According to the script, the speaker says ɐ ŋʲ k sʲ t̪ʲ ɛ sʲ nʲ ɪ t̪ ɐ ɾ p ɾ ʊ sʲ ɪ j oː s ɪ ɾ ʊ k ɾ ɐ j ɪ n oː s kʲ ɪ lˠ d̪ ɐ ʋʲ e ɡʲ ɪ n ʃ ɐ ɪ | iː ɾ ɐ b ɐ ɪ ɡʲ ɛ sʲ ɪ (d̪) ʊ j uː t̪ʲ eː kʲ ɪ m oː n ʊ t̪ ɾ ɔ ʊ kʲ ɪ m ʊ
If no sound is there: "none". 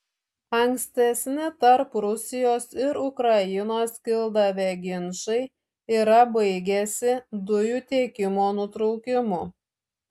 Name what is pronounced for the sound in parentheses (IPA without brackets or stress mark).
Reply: d̪